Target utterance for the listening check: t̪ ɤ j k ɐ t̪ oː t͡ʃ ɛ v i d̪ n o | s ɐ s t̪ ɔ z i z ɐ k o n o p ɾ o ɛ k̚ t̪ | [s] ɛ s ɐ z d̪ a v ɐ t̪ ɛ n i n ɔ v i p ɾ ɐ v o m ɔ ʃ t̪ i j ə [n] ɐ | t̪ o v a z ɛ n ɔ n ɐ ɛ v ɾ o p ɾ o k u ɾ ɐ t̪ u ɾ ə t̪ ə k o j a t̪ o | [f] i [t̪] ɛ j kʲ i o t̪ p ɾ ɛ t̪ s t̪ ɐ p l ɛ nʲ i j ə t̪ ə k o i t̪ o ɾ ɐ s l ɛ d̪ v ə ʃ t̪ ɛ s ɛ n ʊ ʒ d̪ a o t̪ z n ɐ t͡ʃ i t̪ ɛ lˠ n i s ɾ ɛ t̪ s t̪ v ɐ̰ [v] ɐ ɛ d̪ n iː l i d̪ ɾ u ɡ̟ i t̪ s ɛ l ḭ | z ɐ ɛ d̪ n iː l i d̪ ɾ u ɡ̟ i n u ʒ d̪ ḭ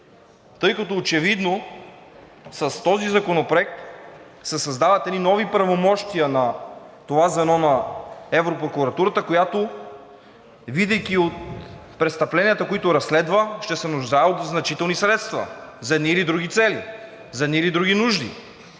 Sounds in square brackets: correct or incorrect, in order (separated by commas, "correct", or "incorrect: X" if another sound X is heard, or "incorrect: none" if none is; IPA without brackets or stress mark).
correct, correct, incorrect: v, incorrect: d̪, incorrect: z